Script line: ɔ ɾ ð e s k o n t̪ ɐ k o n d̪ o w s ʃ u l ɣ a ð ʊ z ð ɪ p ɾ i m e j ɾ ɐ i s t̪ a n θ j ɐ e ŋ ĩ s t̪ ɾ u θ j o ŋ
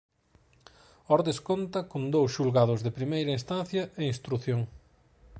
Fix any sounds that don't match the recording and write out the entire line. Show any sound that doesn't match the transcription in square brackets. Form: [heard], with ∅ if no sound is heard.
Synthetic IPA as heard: ɔ ɾ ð e s k o n t̪ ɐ k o n d̪ o w s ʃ u l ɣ a ð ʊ z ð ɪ p ɾ i m e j ɾ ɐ i s t̪ a n θ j ɐ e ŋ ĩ s t̪ ɾ u θ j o ŋ